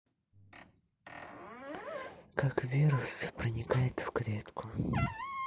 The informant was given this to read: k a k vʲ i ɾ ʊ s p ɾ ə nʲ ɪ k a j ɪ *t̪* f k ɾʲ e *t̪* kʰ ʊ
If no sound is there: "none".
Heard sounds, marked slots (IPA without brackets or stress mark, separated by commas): t̪, t̪